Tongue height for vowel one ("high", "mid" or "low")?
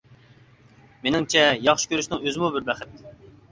mid